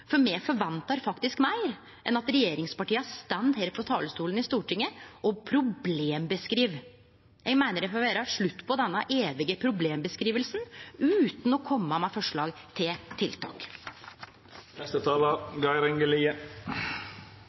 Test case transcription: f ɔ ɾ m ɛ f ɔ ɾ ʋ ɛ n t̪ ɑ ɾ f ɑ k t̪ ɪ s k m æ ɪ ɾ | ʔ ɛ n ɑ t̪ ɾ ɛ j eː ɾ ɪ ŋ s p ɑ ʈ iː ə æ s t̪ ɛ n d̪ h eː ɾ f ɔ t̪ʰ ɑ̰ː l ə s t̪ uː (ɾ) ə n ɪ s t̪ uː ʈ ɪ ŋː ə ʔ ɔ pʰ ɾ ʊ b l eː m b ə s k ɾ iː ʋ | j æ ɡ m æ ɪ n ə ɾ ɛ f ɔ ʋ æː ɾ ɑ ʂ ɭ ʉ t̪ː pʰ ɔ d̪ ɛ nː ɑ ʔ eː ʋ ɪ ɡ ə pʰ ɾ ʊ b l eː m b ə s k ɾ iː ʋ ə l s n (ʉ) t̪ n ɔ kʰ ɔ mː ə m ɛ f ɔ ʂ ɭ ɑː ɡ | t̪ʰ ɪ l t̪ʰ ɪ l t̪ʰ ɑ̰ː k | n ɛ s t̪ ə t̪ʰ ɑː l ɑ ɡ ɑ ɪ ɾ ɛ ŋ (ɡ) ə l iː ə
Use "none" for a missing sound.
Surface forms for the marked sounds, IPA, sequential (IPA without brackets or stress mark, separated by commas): l, ʉː, ɡ